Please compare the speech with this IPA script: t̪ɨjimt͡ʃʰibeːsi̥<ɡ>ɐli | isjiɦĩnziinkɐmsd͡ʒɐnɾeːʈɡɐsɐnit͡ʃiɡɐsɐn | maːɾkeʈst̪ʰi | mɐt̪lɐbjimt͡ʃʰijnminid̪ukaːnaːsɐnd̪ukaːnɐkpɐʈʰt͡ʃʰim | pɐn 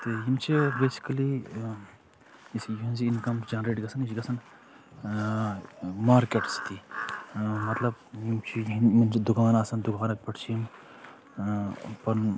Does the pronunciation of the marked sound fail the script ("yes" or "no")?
yes